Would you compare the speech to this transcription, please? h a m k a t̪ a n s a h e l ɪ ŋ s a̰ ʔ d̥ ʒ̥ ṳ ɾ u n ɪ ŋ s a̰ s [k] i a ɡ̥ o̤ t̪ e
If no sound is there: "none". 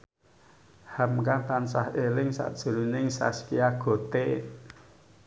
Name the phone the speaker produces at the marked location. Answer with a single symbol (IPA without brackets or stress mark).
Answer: k